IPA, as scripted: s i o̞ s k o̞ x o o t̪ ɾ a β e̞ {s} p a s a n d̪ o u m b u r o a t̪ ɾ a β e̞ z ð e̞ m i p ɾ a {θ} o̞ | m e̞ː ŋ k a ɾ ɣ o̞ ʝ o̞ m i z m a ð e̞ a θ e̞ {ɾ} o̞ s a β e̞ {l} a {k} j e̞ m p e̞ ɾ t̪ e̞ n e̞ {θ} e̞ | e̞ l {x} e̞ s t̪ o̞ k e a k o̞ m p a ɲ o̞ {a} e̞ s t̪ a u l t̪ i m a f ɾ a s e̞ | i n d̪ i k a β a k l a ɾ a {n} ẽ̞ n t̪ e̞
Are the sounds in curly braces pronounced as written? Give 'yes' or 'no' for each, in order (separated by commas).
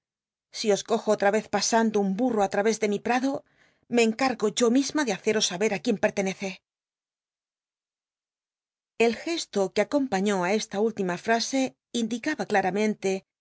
no, no, yes, no, yes, yes, yes, yes, no